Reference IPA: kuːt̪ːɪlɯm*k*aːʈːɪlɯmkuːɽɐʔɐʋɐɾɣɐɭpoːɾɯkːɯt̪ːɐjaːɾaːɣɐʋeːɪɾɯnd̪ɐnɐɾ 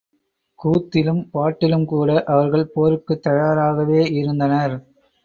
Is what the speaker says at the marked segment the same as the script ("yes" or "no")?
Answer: no